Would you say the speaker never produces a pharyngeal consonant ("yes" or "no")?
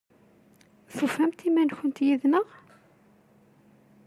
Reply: yes